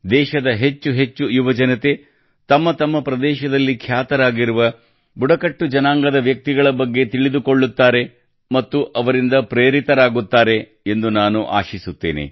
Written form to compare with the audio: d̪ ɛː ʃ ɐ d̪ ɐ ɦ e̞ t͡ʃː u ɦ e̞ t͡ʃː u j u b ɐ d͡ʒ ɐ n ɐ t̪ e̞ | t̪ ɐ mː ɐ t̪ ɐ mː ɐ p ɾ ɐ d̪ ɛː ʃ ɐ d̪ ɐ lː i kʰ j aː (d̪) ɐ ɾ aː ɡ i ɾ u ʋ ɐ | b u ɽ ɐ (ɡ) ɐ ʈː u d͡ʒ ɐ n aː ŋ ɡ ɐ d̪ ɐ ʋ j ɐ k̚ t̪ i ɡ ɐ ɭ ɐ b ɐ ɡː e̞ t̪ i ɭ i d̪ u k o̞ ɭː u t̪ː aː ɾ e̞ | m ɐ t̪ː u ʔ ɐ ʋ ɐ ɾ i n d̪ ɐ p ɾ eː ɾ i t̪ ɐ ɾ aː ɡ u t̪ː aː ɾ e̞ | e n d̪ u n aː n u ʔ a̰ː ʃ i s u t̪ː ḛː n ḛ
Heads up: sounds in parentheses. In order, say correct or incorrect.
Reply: incorrect, incorrect

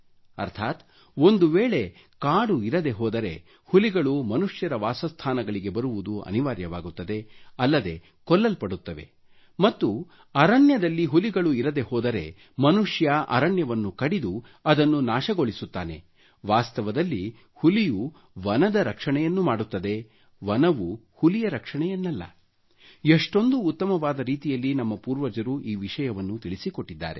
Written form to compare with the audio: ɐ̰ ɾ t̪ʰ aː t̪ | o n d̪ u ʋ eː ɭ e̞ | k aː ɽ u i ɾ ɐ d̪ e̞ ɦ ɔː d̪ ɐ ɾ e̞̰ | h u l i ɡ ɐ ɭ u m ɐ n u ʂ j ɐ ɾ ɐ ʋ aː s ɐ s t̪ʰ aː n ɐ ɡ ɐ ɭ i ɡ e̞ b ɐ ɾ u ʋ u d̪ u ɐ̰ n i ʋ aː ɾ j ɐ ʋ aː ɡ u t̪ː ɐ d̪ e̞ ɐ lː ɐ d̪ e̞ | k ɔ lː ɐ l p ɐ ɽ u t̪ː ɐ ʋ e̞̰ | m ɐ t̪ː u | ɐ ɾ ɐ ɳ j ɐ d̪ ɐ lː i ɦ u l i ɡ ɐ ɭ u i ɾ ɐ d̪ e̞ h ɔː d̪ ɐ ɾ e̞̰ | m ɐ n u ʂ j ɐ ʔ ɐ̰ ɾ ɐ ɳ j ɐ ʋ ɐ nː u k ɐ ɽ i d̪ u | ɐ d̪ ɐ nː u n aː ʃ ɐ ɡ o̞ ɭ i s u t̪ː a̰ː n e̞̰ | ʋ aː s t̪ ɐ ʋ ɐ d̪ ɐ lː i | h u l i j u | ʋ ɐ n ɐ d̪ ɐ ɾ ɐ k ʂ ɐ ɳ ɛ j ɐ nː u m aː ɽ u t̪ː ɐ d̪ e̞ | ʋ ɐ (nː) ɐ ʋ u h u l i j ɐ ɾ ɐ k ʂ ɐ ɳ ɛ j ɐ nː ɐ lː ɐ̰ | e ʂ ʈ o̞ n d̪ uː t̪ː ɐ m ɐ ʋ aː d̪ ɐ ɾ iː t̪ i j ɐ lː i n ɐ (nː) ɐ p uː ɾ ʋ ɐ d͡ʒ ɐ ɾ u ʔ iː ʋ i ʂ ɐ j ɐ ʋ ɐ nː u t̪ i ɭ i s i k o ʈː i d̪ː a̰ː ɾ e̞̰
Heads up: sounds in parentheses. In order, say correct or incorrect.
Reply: incorrect, incorrect

